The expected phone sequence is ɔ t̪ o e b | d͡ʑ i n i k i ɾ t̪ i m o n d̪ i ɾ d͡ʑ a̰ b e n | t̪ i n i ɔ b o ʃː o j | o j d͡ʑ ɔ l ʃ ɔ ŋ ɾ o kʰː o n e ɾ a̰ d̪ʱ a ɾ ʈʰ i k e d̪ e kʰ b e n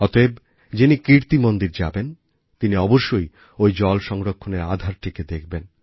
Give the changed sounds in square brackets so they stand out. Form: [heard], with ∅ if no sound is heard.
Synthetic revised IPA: ɔ t̪ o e b | d͡ʑ i n i k i ɾ t̪ i m o n d̪ i ɾ d͡ʑ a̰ b e n | t̪ i n i ɔ b o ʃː o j | o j d͡ʑ ɔ l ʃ ɔ ŋ ɾ o kʰː o n e ɾ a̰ d̪ʱ a ɾ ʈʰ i k e d̪ e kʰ b e n